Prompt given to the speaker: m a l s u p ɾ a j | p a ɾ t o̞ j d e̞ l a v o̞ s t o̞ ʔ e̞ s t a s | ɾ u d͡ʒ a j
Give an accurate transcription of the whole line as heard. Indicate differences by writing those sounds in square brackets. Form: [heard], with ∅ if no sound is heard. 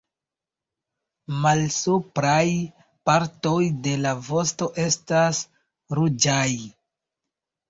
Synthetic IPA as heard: m a l s u p ɾ a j | p a ɾ t o̞ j d e̞ l a v o̞ s t o̞ ʔ e̞ s t a s | ɾ u d͡ʒ a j